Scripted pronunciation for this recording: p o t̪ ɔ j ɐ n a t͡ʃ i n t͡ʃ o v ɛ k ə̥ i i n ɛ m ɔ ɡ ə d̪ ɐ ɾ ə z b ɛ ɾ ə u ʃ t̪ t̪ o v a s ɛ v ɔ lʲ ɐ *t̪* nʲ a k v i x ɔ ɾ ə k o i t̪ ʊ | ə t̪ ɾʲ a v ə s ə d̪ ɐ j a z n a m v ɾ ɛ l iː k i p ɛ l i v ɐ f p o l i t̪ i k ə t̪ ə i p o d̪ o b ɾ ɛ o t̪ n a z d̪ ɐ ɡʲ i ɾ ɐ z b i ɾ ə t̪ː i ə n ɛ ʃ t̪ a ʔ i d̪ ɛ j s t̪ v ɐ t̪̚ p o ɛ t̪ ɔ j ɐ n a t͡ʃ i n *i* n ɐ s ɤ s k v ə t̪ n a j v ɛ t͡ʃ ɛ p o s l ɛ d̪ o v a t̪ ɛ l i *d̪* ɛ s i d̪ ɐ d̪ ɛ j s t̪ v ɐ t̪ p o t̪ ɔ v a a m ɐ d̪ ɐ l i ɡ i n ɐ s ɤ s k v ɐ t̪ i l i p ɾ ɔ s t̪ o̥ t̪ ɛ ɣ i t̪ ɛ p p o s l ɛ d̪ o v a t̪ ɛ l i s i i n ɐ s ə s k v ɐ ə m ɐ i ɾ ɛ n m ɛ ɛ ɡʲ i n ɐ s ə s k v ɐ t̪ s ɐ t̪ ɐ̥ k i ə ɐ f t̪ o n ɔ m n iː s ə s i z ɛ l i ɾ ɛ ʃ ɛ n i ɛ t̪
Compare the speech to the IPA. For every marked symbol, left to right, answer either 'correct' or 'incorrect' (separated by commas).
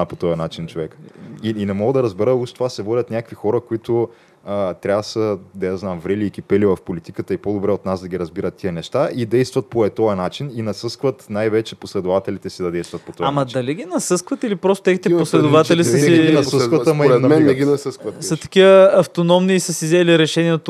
correct, correct, incorrect